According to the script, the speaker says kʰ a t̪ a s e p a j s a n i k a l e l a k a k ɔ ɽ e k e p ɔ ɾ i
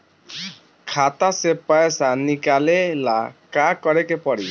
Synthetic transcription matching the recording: kʰ a t̪ a s e p a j s a n i k a l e l a k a k ɔ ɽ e k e p ɔ ɽ i